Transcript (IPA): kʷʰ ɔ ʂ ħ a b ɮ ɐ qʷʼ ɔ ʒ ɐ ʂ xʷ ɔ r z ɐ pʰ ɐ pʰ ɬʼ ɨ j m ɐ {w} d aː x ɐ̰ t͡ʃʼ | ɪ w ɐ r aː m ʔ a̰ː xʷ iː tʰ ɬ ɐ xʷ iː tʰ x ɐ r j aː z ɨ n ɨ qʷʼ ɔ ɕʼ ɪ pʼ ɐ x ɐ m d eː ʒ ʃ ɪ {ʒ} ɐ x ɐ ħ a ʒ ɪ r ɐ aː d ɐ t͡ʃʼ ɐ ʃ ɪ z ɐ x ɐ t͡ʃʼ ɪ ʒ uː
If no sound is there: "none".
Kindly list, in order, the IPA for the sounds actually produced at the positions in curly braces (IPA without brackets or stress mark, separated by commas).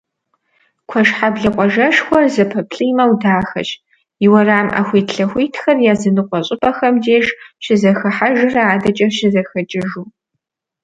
w, z